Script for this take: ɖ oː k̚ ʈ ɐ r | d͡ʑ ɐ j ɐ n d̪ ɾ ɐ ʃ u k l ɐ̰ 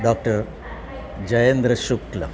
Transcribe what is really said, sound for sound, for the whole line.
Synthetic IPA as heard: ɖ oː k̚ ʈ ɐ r | d͡ʑ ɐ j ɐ n d̪ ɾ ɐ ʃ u k l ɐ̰